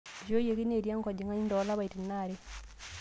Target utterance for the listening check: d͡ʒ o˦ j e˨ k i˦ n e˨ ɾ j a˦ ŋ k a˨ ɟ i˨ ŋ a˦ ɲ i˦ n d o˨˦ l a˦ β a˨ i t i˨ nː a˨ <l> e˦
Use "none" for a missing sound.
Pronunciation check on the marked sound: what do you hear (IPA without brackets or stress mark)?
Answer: ɾ